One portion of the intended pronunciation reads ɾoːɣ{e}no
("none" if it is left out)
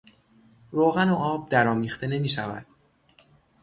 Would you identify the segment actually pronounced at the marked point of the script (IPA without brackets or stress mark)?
æ